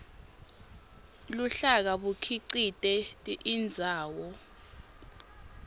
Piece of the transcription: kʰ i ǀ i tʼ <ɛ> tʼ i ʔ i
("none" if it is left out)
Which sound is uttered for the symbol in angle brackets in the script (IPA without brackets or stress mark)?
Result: ɛ